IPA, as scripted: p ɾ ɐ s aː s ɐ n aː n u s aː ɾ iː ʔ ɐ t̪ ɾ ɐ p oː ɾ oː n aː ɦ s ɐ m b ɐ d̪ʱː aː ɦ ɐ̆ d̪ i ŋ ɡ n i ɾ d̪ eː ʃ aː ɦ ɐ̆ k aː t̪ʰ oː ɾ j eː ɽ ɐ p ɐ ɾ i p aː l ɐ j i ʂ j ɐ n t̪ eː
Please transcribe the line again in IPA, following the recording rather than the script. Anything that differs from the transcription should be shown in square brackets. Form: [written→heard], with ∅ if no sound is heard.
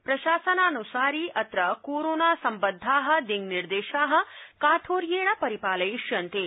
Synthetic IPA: p ɾ ɐ [s→ʃ] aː s ɐ n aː n u s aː ɾ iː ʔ ɐ t̪ ɾ ɐ [p→k] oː ɾ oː n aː [ɦ→∅] s ɐ m b ɐ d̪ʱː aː ɦ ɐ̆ d̪ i ŋ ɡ n i ɾ d̪ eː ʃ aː ɦ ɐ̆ k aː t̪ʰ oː ɾ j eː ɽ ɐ p ɐ ɾ i p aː l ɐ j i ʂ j ɐ n t̪ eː